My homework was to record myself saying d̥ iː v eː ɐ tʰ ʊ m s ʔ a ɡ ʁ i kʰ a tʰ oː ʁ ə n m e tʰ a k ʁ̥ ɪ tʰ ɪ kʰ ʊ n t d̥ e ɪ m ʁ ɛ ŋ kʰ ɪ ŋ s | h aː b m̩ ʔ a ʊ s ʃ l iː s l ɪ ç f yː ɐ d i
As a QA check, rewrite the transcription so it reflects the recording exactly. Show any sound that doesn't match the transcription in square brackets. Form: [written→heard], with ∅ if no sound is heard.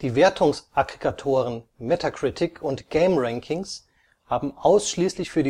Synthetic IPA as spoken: d̥ iː v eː ɐ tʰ ʊ [m→ŋ] s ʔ a ɡ ʁ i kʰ a tʰ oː ʁ ə n m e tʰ a k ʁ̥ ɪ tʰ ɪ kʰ ʊ n t [d̥→ɡ̥] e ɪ m ʁ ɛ ŋ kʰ ɪ ŋ s | h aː b m̩ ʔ a ʊ s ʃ l iː s l ɪ ç f yː ɐ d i